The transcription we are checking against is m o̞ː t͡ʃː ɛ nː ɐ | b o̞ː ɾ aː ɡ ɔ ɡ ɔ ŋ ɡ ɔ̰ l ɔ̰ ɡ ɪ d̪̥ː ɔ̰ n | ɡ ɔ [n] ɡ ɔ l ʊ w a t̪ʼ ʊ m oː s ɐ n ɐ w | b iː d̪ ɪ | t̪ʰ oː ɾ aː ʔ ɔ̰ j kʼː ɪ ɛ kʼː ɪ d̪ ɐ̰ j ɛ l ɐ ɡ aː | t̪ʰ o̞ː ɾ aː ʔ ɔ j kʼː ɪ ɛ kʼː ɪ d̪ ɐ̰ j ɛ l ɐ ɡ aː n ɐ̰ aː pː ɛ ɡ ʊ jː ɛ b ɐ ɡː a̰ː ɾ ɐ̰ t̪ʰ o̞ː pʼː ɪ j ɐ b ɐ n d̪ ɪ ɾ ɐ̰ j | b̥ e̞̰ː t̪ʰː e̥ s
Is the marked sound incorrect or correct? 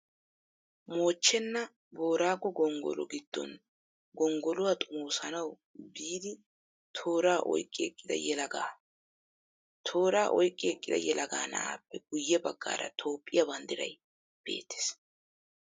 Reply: incorrect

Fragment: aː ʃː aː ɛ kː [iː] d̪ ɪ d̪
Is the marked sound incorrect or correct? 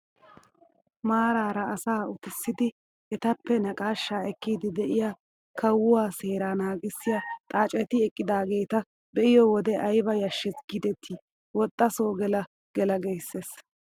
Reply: correct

